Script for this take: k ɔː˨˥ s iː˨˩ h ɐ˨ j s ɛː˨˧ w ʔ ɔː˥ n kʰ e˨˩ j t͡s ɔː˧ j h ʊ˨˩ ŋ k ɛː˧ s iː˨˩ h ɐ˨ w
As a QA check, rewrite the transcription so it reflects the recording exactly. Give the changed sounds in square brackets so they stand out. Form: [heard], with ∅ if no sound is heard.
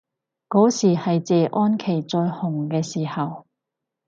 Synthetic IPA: k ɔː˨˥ s iː˨˩ h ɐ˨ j [t͡s] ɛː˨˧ [∅] ʔ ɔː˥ n kʰ e˨˩ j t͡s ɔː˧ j h ʊ˨˩ ŋ k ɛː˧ s iː˨˩ h ɐ˨ w

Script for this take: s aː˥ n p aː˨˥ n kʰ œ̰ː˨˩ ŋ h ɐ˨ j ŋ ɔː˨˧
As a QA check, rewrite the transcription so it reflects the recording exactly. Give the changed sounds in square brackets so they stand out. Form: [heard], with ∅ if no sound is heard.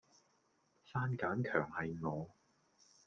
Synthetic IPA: s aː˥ n [k] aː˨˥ n kʰ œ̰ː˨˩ ŋ h ɐ˨ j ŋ ɔː˨˧

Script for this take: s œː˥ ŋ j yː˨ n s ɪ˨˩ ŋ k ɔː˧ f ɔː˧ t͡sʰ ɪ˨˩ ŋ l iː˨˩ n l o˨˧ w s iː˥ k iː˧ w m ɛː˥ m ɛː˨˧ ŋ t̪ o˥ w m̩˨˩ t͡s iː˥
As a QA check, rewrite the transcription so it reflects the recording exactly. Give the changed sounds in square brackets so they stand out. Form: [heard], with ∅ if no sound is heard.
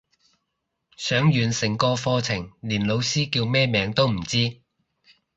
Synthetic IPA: s [œː˨˥] ŋ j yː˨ n s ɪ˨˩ ŋ k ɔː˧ f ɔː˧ t͡sʰ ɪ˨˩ ŋ l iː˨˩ n l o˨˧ w s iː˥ k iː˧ w m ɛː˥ m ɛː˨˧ ŋ t̪ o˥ w m̩˨˩ t͡s iː˥

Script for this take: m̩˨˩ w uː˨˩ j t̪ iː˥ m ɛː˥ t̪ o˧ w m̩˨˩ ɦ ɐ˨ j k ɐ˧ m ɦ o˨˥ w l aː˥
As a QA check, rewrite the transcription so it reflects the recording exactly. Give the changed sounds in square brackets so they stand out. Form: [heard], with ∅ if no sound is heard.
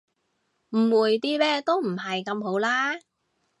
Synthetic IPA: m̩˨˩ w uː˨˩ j t̪ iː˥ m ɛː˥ t̪ [o˥] w m̩˨˩ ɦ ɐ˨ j k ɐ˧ m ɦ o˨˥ w l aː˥

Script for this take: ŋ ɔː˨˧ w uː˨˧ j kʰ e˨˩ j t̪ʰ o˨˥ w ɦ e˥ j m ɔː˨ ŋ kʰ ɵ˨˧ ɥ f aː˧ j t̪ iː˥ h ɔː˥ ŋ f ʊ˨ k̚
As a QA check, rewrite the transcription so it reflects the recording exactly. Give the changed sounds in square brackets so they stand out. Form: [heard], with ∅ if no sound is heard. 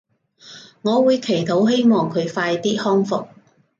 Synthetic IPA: ŋ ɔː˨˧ w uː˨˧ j kʰ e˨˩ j t̪ʰ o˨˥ w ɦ e˥ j m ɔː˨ ŋ kʰ ɵ˨˧ ɥ f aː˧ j t̪ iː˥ h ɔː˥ ŋ f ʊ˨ k̚

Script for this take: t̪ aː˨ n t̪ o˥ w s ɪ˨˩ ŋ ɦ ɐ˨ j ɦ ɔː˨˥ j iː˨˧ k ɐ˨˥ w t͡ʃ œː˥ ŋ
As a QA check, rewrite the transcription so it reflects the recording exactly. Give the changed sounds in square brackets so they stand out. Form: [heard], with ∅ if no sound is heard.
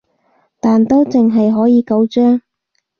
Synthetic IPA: t̪ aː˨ n t̪ o˥ w [t͡s] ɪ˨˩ ŋ ɦ ɐ˨ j ɦ ɔː˨˥ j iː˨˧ k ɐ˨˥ w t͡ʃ œː˥ ŋ

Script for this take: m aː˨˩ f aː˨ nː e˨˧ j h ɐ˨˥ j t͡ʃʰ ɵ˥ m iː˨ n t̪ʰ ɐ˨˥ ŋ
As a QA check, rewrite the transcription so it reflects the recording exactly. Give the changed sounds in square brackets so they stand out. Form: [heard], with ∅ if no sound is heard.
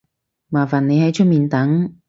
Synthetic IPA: m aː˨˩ f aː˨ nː e˨˧ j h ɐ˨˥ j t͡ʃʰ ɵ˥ m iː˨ n [t̪] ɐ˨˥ ŋ

